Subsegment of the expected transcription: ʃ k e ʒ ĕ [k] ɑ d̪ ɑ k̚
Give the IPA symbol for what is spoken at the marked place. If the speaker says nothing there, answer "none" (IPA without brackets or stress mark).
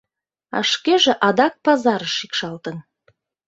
ʔ